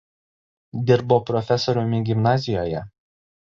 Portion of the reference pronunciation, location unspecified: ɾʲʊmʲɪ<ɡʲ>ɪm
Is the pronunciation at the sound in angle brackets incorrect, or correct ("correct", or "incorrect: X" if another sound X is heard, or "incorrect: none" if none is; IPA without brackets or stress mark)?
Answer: correct